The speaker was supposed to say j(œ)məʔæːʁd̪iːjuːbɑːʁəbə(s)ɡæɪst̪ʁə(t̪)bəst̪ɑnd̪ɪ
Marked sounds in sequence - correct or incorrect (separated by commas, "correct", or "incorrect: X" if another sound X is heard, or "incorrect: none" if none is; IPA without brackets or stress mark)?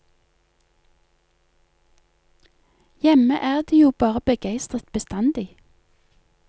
incorrect: ɛ, incorrect: none, correct